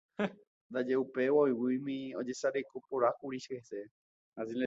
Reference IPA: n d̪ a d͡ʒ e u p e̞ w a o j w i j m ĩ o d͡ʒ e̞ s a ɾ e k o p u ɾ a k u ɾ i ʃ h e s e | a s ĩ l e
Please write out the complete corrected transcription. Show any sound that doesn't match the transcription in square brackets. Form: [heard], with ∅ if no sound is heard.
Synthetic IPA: n d̪ a d͡ʒ e u p e̞ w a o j w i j m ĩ o d͡ʒ e̞ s a ɾ e k o p [o] ɾ a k u ɾ i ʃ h e s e | a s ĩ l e

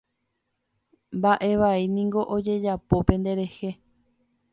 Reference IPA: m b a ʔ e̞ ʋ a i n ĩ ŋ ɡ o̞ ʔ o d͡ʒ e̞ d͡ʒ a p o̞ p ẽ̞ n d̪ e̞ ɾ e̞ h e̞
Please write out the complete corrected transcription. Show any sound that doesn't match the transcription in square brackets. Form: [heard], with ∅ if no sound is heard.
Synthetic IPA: m b a ʔ e̞ ʋ a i n ĩ ŋ ɡ o̞ ʔ o d͡ʒ e̞ d͡ʒ a p o̞ p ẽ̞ n d̪ e̞ ɾ e̞ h e̞

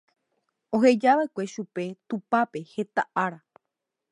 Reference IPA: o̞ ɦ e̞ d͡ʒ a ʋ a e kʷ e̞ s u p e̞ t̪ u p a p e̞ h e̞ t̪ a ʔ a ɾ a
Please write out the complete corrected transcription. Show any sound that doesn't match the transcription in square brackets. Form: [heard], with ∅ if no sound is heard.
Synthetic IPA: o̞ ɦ e̞ d͡ʒ a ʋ a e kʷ e̞ [ʃ] u p e̞ t̪ u p a p e̞ h e̞ t̪ a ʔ a ɾ a

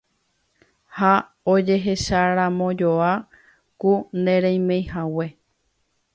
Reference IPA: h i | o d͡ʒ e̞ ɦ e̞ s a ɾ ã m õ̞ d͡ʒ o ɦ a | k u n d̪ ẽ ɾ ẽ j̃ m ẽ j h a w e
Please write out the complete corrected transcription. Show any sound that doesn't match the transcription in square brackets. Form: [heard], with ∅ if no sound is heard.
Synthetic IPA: h [a] | o d͡ʒ e̞ ɦ e̞ [ʃ] a ɾ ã m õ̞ d͡ʒ o [∅] a | k u n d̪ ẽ ɾ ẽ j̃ m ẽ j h a w e

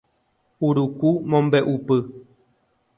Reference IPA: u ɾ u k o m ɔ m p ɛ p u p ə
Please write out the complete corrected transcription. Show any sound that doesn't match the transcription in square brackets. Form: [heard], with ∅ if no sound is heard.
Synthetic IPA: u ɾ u k [u] m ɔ m [b] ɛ [ʔ] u p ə

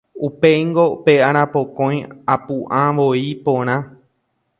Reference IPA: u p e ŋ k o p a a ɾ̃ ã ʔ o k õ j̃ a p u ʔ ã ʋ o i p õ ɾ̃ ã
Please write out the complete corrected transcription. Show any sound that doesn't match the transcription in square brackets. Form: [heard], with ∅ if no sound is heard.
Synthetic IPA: u p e ŋ [ɡ] o p [e] a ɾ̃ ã [p] o k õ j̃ a p u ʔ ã ʋ o i p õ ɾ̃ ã

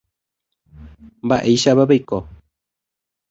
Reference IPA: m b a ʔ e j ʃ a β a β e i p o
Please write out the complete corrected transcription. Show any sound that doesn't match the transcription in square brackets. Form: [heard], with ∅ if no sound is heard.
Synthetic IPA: m b a ʔ e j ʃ a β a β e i [k] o

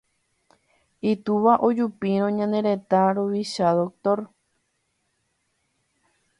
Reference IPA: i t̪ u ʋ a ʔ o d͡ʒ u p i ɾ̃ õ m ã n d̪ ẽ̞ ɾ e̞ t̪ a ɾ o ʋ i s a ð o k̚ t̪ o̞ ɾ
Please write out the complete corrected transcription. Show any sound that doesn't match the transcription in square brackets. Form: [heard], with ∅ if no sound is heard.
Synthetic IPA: i t̪ u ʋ a ʔ o d͡ʒ u p i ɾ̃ õ [ɲ] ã n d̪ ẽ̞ ɾ e̞ t̪ a ɾ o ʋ i [ʃ] a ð o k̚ t̪ o̞ ɾ

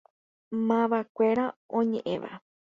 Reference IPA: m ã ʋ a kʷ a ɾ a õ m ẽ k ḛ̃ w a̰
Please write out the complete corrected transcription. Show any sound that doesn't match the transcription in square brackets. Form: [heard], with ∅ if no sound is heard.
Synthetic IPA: m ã ʋ a kʷ [e] ɾ a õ [ɲ] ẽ [ʔ] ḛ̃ [ʋ] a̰

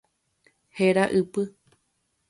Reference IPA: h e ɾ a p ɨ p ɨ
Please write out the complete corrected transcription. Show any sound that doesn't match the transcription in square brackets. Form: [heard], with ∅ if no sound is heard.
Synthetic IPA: h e ɾ a [ʔ] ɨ p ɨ

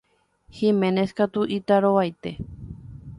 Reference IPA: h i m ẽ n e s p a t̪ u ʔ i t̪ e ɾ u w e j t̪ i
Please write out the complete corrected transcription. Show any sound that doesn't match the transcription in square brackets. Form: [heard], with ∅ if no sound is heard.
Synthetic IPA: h i m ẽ n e s [k] a t̪ u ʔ i t̪ [a] ɾ [o] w [a] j t̪ [e]

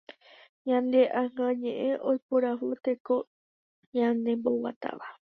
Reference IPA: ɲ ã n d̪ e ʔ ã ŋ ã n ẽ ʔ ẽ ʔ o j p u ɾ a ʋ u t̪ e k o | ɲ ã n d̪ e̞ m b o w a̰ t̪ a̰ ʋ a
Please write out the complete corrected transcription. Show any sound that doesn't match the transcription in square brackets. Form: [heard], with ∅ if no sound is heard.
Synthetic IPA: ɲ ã n d̪ e ʔ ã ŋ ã [ɲ] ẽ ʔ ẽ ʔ o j p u ɾ a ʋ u t̪ e k o | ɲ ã n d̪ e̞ m b o w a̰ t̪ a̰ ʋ a

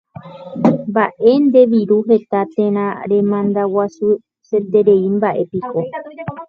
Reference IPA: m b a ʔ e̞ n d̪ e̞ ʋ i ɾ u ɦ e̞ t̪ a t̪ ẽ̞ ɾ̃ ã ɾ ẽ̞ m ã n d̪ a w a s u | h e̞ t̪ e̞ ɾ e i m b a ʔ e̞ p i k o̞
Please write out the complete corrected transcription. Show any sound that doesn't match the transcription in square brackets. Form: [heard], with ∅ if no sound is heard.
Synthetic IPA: m b a ʔ e̞ n d̪ e̞ ʋ i ɾ u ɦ e̞ t̪ a t̪ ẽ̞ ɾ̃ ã ɾ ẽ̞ m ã n d̪ a w a s u | [s] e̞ t̪ e̞ ɾ e i m b a ʔ e̞ p i k o̞

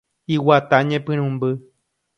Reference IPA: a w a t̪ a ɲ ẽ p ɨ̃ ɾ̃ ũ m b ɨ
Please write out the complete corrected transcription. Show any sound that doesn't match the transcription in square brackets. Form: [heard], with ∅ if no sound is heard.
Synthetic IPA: [i] w a t̪ a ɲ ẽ p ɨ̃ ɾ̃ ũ m b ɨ

